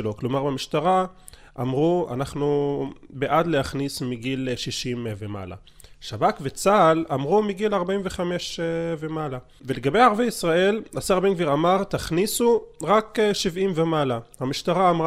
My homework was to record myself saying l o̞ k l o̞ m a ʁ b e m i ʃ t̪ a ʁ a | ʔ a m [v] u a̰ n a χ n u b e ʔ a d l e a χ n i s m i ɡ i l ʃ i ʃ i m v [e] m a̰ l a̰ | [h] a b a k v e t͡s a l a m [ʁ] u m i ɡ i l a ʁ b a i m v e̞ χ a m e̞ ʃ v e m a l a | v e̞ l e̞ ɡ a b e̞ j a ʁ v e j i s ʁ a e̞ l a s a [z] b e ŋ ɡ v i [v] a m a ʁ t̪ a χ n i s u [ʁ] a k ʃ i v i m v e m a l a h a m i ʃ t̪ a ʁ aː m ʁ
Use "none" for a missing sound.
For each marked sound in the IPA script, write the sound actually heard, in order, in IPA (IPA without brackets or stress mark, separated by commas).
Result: ʁ, e, ʃ, ʁ, ʁ, ʁ, ʁ